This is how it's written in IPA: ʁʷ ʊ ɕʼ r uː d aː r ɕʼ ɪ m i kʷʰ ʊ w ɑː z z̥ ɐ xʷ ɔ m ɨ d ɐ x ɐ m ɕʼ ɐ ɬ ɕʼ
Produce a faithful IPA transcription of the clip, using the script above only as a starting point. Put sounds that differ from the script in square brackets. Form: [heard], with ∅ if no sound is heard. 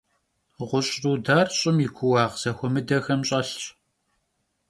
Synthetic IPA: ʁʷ ʊ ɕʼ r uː d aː r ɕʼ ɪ m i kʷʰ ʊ w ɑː [ʁ] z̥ ɐ xʷ ɔ m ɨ d ɐ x ɐ m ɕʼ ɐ ɬ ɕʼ

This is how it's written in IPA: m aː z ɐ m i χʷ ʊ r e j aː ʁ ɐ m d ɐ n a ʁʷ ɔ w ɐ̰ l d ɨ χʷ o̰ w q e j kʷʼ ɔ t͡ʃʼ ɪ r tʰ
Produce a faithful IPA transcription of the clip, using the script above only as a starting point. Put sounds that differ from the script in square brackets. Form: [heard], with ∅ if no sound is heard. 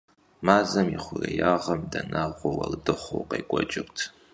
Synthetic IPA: m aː z ɐ m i χʷ ʊ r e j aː ʁ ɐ m d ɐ n a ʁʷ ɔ w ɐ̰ l d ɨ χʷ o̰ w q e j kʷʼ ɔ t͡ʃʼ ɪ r tʰ

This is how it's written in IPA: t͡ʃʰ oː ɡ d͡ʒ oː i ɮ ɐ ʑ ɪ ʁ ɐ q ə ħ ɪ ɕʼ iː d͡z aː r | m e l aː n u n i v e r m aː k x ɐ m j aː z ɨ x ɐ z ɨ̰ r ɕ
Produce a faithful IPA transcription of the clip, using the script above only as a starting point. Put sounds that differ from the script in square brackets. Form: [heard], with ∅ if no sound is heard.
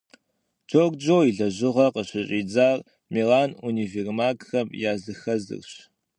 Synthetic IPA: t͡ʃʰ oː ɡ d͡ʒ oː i ɮ ɐ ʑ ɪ ʁ ɐ q ə [ɕ] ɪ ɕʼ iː d͡z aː r | m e l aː n u n i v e r m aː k x ɐ m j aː z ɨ x ɐ z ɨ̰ r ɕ

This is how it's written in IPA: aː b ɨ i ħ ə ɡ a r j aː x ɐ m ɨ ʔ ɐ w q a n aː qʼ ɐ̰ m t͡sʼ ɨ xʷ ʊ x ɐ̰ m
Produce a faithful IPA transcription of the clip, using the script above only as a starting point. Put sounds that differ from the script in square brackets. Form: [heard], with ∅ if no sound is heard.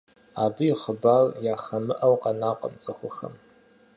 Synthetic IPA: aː b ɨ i [χ] ə [b] a r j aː x ɐ m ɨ ʔ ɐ w q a n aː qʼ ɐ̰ m t͡sʼ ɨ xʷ ʊ x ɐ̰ m

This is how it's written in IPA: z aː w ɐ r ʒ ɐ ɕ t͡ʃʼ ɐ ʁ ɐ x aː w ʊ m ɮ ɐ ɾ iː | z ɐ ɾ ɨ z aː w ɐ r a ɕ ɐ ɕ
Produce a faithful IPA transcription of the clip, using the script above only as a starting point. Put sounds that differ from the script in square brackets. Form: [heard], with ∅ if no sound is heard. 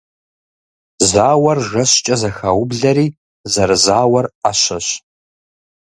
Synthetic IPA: z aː w ɐ r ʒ ɐ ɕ t͡ʃʼ ɐ [z] ɐ x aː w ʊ [b] ɮ ɐ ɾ iː | z ɐ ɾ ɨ z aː w ɐ r a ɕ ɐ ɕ

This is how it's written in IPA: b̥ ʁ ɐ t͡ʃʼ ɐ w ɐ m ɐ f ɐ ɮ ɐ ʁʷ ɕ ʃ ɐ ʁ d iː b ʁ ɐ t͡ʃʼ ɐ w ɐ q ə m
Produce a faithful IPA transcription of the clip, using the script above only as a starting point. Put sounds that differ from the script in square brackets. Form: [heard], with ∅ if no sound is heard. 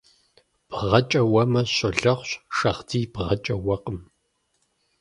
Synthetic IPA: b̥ ʁ ɐ t͡ʃʼ ɐ w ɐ m ɐ [ɕ] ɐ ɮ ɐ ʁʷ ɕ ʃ ɐ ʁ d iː b ʁ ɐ t͡ʃʼ ɐ w ɐ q ə m

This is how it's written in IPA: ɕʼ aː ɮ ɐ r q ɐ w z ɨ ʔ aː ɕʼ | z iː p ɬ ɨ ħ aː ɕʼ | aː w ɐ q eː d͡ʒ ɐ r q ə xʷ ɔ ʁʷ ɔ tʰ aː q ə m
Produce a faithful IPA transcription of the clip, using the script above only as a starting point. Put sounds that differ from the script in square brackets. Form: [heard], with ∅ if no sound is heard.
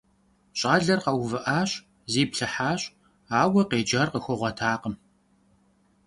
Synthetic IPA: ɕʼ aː ɮ ɐ r q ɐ w [v] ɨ ʔ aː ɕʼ | z iː p ɬ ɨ ħ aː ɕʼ | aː w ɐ q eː d͡ʒ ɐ r q ə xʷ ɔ ʁʷ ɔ tʰ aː q ə m

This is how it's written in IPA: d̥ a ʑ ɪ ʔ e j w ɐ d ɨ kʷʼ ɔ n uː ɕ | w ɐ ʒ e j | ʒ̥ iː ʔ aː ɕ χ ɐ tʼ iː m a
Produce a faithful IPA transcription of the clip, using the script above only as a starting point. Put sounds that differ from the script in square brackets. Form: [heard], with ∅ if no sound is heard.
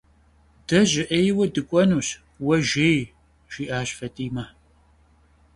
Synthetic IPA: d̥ [ɐ] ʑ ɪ ʔ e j w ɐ d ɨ kʷʼ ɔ n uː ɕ | w ɐ ʒ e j | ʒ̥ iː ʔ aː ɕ [f] ɐ tʼ iː m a

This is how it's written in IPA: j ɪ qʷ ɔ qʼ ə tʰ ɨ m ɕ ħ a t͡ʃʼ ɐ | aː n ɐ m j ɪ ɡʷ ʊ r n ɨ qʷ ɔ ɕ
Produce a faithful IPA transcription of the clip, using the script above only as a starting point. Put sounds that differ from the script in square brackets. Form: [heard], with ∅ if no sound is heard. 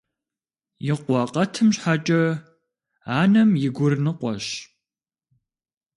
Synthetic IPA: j ɪ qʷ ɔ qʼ [ɐ] tʰ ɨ m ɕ ħ a t͡ʃʼ ɐ | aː n ɐ m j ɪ ɡʷ ʊ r n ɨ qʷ ɔ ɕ

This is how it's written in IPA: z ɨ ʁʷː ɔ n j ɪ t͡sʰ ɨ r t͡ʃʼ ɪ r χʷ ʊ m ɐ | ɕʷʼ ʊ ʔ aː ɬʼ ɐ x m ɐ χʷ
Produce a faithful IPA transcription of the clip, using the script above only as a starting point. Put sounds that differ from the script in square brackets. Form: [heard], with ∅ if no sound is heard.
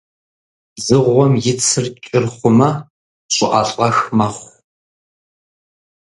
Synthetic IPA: z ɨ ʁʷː ɔ [m] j ɪ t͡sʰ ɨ r t͡ʃʼ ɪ r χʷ ʊ m ɐ | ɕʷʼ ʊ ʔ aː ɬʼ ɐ x m ɐ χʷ

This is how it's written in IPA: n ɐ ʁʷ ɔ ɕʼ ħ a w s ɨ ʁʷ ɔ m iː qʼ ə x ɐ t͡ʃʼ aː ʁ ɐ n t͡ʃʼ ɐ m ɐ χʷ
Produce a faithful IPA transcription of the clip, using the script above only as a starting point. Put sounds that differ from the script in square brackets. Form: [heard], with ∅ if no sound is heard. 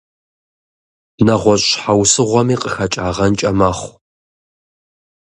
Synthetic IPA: n ɐ ʁʷ ɔ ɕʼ ħ a w s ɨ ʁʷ ɔ m iː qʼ ə x ɐ t͡ʃʼ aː ʁ ɐ n t͡ʃʼ ɐ m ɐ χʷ

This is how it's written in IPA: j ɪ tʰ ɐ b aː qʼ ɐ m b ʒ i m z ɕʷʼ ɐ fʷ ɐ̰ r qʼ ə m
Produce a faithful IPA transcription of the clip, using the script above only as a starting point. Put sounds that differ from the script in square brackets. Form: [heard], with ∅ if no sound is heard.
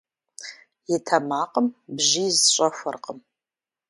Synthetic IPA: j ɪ tʰ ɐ [m] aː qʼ [ə] m b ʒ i [∅] z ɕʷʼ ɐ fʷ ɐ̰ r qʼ ə m

